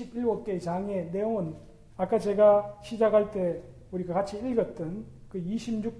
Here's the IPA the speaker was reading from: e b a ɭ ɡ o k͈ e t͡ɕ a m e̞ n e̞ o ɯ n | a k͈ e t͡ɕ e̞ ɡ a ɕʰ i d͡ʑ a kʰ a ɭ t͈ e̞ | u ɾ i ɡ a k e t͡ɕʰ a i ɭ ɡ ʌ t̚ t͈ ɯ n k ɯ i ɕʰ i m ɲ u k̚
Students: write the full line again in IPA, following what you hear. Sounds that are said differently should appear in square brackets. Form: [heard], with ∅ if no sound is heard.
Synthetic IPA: [i] b [i] ɭ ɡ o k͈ e t͡ɕ a [ŋ] e̞ n e̞ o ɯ n | a k͈ [a] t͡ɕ e̞ ɡ a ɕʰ i d͡ʑ a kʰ a ɭ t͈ e̞ | u ɾ i ɡ a k [a] t͡ɕʰ [i] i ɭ ɡ ʌ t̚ t͈ ɯ n k ɯ i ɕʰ i m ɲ u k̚